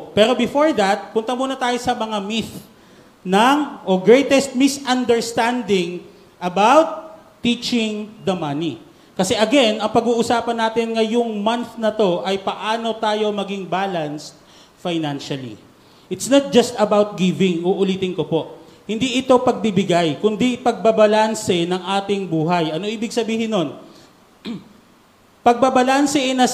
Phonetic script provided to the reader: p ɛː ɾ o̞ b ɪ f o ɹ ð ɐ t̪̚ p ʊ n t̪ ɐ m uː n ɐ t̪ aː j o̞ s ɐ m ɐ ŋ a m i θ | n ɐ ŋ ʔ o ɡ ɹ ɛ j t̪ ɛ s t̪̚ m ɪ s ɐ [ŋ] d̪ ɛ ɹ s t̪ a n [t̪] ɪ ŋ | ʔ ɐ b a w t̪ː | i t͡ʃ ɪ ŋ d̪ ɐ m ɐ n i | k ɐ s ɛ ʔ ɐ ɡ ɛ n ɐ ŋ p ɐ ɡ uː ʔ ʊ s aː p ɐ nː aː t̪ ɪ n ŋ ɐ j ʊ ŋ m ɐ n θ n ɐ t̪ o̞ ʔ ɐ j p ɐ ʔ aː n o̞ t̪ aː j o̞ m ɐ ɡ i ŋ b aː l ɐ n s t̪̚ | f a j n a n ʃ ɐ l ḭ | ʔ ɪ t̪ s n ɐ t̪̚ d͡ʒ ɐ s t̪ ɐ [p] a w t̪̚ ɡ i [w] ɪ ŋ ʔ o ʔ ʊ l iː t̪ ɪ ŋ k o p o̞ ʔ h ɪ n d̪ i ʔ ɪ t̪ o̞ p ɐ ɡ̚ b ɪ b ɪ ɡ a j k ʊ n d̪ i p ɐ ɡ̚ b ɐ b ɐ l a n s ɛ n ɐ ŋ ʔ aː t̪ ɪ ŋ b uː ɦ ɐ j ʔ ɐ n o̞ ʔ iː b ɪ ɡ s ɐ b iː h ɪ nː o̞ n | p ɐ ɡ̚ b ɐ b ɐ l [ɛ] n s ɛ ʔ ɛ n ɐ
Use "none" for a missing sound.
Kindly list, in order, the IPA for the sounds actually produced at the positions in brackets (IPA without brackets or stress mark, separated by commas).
n, d̪, b, v, a